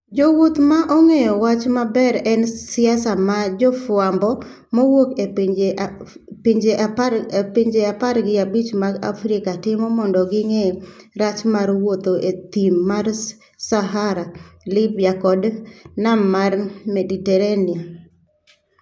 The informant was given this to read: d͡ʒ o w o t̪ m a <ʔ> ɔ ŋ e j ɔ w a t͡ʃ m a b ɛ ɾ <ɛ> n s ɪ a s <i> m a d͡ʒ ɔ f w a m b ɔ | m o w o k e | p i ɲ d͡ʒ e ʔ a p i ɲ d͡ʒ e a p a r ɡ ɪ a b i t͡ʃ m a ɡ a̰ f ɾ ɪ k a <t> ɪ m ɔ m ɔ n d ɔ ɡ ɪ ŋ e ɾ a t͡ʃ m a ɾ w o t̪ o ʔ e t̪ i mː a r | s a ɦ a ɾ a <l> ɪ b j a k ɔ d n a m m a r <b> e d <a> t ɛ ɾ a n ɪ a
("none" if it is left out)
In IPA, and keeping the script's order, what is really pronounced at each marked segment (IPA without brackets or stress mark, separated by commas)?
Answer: ʔ, ɛ, a, t, l, m, i